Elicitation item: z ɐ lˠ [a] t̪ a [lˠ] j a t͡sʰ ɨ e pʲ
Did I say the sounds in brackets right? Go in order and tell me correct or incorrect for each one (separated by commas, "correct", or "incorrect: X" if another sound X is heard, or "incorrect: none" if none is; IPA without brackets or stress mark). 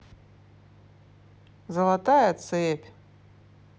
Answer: correct, incorrect: none